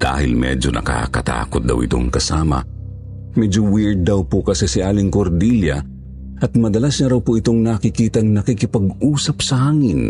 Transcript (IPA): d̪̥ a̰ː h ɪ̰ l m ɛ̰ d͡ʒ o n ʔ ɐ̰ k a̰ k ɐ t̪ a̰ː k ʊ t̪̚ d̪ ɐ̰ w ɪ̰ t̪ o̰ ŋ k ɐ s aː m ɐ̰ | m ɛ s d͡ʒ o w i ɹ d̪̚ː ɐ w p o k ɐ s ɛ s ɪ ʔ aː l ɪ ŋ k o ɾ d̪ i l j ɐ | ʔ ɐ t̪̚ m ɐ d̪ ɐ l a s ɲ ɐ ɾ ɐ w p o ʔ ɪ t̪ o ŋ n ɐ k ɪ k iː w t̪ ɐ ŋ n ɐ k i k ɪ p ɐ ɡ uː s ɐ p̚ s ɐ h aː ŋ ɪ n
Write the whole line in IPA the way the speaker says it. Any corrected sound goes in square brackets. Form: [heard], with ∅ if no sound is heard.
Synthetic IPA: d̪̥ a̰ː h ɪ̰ l m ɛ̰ d͡ʒ o n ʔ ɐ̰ k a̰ k ɐ t̪ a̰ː k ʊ t̪̚ d̪ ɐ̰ w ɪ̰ t̪ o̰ ŋ k ɐ s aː m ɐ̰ | m ɛ [∅] d͡ʒ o w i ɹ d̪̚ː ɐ w p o k ɐ s ɛ s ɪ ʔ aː l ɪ ŋ k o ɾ d̪ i l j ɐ | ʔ ɐ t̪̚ m ɐ d̪ ɐ l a s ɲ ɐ ɾ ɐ w p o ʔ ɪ t̪ o ŋ n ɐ k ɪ k iː [∅] t̪ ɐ ŋ n ɐ k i k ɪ p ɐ ɡ uː s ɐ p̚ s ɐ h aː ŋ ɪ n